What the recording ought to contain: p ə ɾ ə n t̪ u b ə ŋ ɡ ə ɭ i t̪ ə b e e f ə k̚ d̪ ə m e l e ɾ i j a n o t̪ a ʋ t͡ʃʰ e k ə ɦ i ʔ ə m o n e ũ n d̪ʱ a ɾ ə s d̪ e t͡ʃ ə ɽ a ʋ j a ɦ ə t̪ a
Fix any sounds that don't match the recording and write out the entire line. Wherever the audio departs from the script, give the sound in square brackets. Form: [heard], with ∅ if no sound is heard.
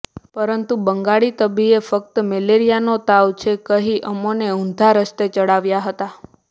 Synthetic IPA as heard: p ə ɾ ə n t̪ u b ə ŋ ɡ [a] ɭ i t̪ ə b [i] e f ə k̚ [t̪] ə m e l e ɾ i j a n o t̪ a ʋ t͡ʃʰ e k ə ɦ i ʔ ə m o n e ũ n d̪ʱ a ɾ ə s [t̪] e t͡ʃ ə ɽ a ʋ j a ɦ ə t̪ a